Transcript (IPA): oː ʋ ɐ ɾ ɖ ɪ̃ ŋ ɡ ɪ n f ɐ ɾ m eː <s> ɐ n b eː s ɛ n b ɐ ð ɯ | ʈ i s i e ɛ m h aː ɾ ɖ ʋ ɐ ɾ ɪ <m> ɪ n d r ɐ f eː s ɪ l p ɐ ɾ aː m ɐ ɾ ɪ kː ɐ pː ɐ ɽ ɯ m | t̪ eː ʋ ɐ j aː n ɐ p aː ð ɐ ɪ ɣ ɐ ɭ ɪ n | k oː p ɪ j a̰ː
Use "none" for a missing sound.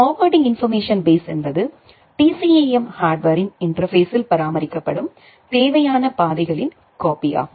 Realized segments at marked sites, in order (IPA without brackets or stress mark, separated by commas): ʂ, n